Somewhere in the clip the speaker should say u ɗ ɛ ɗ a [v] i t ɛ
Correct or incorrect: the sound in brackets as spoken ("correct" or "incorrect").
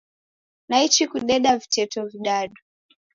correct